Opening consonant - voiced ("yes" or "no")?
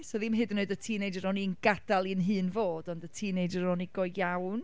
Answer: no